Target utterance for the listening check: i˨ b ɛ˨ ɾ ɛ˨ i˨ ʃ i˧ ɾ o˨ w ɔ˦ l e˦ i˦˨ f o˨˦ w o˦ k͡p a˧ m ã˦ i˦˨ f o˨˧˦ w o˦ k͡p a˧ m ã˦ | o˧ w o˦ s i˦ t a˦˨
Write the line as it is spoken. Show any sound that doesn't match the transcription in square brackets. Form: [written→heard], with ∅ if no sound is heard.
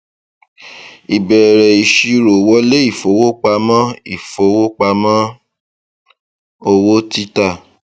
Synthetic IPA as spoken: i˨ b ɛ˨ ɾ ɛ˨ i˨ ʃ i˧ ɾ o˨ w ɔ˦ l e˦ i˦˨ f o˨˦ w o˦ k͡p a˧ m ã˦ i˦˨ f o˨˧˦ w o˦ k͡p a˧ m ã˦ | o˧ w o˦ [s→t] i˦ t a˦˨